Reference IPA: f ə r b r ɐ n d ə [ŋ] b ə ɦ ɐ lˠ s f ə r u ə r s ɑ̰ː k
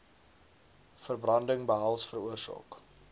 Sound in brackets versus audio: correct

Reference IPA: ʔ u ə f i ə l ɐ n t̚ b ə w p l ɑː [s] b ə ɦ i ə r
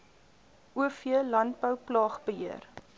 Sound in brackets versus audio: incorrect: χ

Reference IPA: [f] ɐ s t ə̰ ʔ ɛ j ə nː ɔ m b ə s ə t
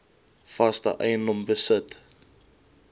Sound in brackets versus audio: correct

